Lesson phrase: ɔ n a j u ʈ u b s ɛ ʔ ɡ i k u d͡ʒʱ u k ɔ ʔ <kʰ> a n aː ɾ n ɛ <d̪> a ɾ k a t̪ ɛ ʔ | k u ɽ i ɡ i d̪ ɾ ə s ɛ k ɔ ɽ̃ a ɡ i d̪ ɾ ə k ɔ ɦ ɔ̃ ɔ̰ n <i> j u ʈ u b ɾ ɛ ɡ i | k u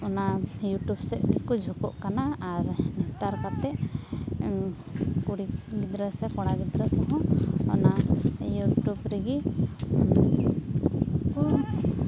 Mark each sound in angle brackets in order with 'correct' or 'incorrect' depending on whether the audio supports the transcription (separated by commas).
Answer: incorrect, incorrect, incorrect